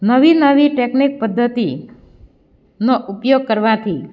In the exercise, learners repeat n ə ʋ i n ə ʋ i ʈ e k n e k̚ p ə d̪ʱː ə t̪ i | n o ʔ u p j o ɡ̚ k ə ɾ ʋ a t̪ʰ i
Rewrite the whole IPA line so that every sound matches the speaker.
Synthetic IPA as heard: n ə ʋ i n ə ʋ i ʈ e k n i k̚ p ə d̪ʱː ə t̪ i | n o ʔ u p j o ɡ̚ k ə ɾ ʋ a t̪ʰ i

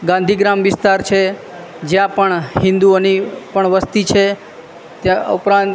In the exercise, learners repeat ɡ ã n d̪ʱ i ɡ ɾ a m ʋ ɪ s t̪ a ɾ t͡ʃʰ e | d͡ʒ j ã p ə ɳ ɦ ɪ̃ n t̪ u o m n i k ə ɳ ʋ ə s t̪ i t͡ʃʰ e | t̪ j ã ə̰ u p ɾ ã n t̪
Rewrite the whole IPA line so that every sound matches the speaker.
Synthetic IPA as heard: ɡ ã n d̪ʱ i ɡ ɾ a m ʋ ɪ s t̪ a ɾ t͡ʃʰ e | d͡ʒ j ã p ə ɳ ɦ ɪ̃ n d̪ u o n i p ə ɳ ʋ ə s t̪ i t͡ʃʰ e | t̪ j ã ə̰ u p ɾ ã n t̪

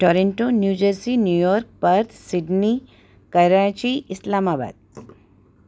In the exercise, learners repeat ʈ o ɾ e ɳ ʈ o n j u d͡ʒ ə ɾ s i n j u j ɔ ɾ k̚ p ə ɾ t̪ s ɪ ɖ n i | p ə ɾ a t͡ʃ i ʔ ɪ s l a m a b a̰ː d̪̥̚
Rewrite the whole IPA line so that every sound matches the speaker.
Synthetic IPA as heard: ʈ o ɾ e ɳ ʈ o n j u d͡ʒ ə ɾ s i n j u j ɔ ɾ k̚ p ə ɾ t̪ s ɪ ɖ n i | k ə ɾ a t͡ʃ i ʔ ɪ s l a m a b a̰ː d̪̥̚

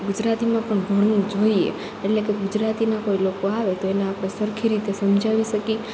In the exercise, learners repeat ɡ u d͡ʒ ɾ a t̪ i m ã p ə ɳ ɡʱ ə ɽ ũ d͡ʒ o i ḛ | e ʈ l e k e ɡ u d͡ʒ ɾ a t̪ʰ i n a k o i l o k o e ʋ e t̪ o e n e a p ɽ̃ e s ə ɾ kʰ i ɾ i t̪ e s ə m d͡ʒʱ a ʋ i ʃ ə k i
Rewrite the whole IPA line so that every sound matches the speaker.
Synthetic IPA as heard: ɡ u d͡ʒ ɾ a t̪ i m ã p ə ɳ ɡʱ ə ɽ ũ d͡ʒ o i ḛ | e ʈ l e k e ɡ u d͡ʒ ɾ a t̪ i n a k o i l o k o a ʋ e t̪ o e n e a p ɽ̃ e s ə ɾ kʰ i ɾ i t̪ e s ə m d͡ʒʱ a ʋ i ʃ ə k i

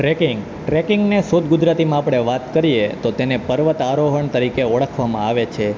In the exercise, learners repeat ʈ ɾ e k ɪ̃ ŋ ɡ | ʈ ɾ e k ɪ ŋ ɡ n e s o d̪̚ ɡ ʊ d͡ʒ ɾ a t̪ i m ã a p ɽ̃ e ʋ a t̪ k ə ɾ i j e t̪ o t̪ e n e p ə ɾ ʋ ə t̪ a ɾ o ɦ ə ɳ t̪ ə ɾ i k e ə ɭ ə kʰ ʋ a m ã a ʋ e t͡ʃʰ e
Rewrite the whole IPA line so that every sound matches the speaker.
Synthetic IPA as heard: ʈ ɾ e k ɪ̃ ŋ ɡ | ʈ ɾ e k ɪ ŋ ɡ n e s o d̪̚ ɡ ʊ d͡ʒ ɾ a t̪ i m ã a p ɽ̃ e ʋ a t̪ k ə ɾ i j e t̪ o t̪ e n e p ə ɾ ʋ ə t̪ a ɾ o ɦ ə ɳ t̪ ə ɾ i k e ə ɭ ə kʰ ʋ a m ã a ʋ e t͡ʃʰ e

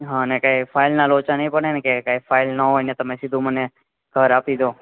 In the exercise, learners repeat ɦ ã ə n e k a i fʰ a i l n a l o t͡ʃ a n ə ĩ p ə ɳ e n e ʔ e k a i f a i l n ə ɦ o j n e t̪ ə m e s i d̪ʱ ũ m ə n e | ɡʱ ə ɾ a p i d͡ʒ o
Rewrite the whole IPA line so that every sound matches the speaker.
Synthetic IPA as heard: ɦ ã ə n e k a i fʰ a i l n a l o t͡ʃ a n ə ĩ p ə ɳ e n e k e k a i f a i l n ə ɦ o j n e t̪ ə m e s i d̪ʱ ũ m ə n e | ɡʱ ə ɾ a p i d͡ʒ o

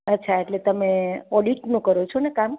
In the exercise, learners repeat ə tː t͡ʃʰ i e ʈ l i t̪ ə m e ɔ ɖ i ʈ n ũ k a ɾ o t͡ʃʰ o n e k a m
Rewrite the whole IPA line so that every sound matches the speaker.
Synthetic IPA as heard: ə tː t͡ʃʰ a e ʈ l e t̪ ə m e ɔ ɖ i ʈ n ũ k ə ɾ o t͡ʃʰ o n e k a m

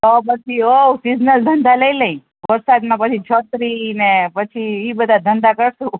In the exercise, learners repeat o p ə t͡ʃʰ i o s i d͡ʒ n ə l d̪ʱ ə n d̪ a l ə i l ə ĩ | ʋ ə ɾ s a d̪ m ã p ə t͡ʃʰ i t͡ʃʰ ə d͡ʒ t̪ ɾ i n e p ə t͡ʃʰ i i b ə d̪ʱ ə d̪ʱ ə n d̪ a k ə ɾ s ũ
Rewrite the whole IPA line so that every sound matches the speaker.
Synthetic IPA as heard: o p ə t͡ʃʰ i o s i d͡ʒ n ə l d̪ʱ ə n d̪ a l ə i l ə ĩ | ʋ ə ɾ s a d̪ m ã p ə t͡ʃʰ i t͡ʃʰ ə t̪ ɾ i n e p ə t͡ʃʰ i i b ə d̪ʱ a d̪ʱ ə n d̪ a k ə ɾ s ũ

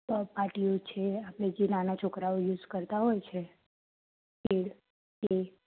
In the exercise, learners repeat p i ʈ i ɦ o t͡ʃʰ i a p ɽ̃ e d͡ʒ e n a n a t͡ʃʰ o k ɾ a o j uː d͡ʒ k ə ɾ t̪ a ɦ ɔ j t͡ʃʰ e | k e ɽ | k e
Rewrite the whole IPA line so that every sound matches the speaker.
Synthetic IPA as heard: p a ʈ i o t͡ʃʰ e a p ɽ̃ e d͡ʒ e n a n a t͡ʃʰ o k ɾ a o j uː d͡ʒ k ə ɾ t̪ a ɦ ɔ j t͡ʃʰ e | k e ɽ | k e

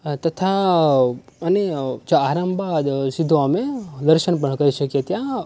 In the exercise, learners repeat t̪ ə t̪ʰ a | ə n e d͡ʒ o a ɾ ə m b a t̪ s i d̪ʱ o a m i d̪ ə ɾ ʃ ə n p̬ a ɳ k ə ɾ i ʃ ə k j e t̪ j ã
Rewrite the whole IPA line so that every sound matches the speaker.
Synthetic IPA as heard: t̪ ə t̪ʰ a | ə n e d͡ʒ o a ɾ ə m b a d̪ s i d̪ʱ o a m e d̪ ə ɾ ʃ ə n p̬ ə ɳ k ə ɾ i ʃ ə k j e t̪ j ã

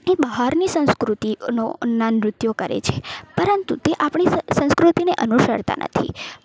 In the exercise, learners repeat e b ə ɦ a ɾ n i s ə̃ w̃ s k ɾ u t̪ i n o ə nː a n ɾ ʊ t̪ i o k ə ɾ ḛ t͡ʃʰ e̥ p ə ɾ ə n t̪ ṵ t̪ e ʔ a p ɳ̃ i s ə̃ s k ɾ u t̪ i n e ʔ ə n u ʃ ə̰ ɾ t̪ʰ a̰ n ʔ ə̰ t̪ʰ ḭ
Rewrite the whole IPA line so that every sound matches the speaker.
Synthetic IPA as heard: e b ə ɦ a ɾ n i s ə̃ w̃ s k ɾ u t̪ i n o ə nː a n ɾ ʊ t̪ j o k ə ɾ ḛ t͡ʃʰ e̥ p ə ɾ ə n t̪ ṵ t̪ e ʔ a p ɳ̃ i s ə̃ s k ɾ u t̪ i n e ʔ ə n u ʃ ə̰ ɾ t̪ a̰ n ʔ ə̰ t̪ʰ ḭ

